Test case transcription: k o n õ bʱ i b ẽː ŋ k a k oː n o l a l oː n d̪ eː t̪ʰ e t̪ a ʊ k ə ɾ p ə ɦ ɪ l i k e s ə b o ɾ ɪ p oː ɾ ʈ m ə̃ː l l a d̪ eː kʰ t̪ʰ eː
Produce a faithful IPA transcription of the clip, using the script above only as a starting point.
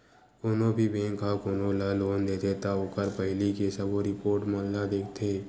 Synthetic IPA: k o n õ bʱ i b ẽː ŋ k a k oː n o l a l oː n d̪ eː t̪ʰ e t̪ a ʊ k ə ɾ p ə ɦ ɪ l i k e s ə b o ɾ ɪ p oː ɾ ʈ m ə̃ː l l a d̪ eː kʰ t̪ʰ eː